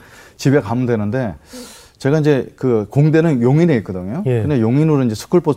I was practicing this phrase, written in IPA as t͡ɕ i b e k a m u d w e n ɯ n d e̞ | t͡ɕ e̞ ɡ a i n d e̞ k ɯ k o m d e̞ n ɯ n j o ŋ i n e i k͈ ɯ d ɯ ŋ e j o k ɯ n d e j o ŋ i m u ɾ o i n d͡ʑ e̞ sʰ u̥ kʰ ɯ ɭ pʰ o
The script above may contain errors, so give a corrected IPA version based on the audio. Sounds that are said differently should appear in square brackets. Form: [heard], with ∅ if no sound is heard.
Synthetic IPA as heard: t͡ɕ i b e k a m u d w e n ɯ n d e̞ | t͡ɕ e̞ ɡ a i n [d͡ʑ] e̞ k ɯ k o [ŋ] d e̞ n ɯ n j o ŋ i n e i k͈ ɯ d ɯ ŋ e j o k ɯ n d e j o ŋ i [n] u ɾ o i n d͡ʑ e̞ sʰ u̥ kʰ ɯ ɭ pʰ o